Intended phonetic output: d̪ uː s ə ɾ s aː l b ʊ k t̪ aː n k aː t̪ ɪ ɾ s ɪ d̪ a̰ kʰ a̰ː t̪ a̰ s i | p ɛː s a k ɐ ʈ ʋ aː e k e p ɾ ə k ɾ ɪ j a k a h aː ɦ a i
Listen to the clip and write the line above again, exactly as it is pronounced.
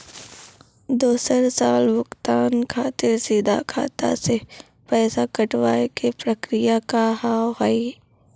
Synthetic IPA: d̪ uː s ə ɾ s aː l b ʊ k t̪ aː n kʰ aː t̪ ɪ ɾ s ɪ d̪ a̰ kʰ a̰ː t̪ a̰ s e | p ɛː s a k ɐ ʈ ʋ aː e k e p ɾ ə k ɾ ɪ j a k a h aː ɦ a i